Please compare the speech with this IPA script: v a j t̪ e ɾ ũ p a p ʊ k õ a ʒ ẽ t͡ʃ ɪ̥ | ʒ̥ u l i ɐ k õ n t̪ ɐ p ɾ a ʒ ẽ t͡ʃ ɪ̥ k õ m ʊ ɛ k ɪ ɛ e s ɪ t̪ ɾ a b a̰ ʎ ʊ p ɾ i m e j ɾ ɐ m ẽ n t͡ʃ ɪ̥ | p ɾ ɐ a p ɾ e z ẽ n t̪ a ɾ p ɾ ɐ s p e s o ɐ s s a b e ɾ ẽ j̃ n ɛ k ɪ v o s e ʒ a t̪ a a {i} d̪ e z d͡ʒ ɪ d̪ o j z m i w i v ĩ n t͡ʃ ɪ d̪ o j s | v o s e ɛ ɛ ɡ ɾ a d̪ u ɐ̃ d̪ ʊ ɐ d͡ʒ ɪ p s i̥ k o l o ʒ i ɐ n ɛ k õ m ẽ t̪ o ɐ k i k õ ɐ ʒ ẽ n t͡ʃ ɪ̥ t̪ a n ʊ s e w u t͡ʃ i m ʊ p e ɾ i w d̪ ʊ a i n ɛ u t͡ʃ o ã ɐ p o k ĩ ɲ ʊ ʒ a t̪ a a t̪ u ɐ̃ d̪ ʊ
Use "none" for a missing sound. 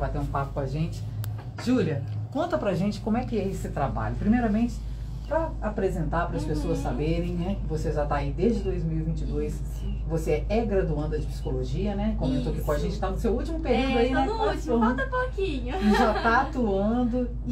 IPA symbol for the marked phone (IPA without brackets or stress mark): i